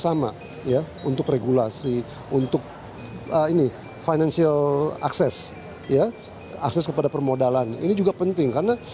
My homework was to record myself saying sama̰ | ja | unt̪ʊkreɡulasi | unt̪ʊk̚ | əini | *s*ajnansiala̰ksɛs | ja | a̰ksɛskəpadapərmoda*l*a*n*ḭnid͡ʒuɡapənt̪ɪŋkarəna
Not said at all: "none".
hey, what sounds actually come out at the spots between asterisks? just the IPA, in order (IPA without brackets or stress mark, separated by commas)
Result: f, l, n